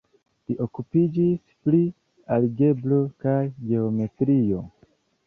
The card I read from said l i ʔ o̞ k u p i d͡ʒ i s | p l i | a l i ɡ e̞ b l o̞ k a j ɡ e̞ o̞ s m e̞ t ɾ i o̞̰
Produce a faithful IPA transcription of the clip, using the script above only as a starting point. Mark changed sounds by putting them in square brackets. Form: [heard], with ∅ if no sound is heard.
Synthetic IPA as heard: l i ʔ o̞ k u p i d͡ʒ i s | p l i | a l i ɡ e̞ b l o̞ k a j ɡ e̞ o̞ [∅] m e̞ t ɾ i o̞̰

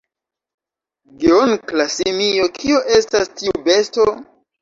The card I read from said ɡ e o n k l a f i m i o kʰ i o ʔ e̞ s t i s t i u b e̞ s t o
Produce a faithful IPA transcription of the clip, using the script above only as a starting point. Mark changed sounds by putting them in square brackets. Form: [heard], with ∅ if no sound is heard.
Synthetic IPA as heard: ɡ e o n k l a [s] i m i o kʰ i o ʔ e̞ s t [a] s t i u b e̞ s t o

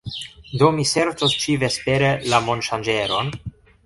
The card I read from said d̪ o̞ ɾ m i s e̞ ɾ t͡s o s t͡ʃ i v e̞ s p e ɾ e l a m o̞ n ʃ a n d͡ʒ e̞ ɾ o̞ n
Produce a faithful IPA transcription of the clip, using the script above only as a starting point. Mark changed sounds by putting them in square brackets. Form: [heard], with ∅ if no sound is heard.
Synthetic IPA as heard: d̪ o̞ [∅] m i s e̞ ɾ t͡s o s t͡ʃ i v e̞ s p e ɾ e l a m o̞ n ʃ a n d͡ʒ e̞ ɾ o̞ n

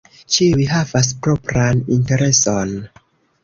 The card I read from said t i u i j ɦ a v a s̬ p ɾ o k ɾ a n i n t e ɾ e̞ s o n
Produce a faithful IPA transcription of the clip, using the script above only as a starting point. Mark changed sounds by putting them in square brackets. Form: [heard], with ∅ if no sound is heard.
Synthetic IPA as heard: [t͡ʃ] i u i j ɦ a v a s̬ p ɾ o [p] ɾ a n i n t e ɾ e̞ s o n

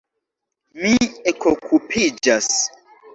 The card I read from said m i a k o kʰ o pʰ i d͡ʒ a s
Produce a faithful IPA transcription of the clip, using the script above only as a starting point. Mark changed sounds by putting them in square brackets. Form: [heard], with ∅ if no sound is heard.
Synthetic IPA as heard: m i [e] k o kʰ [u] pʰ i d͡ʒ a s

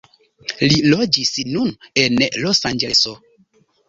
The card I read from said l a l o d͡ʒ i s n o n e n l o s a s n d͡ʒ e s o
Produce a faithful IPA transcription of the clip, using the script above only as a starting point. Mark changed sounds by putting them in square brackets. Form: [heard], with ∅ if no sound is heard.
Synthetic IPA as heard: l [i] l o d͡ʒ i s n [u] n e n l o s a [∅] n d͡ʒ e s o

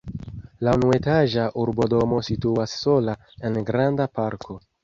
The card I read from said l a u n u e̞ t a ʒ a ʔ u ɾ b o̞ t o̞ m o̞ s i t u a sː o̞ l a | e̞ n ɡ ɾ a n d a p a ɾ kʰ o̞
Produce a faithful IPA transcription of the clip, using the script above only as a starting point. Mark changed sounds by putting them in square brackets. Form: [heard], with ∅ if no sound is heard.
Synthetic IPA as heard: l a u n u e̞ t a ʒ a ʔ u ɾ b o̞ [d] o̞ m o̞ s i t u a sː o̞ l a | e̞ n ɡ ɾ a n d a p a ɾ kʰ o̞

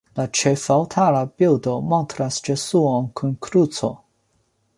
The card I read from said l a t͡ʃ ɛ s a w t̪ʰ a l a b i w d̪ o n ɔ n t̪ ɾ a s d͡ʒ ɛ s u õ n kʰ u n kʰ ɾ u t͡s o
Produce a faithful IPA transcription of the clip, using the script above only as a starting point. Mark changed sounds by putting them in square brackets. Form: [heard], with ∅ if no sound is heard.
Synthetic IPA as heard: l a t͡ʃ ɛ [f] a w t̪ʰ a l a b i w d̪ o [m] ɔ n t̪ ɾ a s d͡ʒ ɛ s u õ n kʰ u n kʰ ɾ u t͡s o

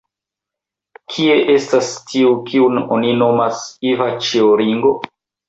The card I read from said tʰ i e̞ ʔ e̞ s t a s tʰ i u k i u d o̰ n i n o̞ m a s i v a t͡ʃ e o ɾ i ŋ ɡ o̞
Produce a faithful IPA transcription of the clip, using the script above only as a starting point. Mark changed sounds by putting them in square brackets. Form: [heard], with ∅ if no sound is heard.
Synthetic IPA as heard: [kʰ] i e̞ ʔ e̞ s t a s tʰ i u k i u [n] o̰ n i n o̞ m a s i v a t͡ʃ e o ɾ i ŋ ɡ o̞

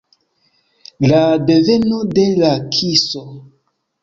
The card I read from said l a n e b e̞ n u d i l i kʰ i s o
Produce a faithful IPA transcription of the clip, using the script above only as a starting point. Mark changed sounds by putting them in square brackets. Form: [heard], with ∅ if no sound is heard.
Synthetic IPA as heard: l a [d] e [v] e̞ n [o] d [e] l [a] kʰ i s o

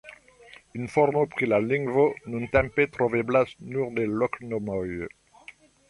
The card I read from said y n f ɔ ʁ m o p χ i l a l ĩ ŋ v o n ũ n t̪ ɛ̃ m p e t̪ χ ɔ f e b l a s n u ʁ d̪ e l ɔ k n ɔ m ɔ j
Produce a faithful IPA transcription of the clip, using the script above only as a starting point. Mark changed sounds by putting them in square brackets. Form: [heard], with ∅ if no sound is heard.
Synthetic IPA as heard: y n f ɔ ʁ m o p χ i l a l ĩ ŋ v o n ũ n t̪ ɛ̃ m p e t̪ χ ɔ [v] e b l a s n u ʁ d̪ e l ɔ k n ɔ m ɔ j

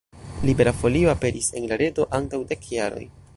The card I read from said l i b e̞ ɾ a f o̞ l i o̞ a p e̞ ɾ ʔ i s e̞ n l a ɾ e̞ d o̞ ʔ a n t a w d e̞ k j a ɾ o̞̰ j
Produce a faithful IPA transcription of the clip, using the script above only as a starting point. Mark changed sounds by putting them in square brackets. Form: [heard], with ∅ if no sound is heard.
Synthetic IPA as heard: l i b e̞ ɾ a f o̞ l i o̞ a p e̞ ɾ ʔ i s e̞ n l a ɾ e̞ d o̞ ʔ a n t a w d e̞ k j a ɾ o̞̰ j

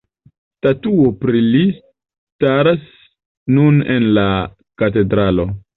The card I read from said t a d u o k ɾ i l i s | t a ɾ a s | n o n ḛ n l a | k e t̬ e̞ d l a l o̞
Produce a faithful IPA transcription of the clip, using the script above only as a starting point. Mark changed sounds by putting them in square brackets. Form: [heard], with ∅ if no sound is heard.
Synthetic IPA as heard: t a [t] u o [p] ɾ i l i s | t a ɾ a s | n [u] n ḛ n l a | k [a] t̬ e̞ d [ɾ] a l o̞

